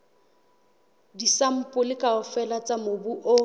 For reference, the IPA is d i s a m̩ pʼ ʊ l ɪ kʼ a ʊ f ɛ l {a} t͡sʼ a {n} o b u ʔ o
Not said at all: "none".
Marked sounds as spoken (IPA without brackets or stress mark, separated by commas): a, m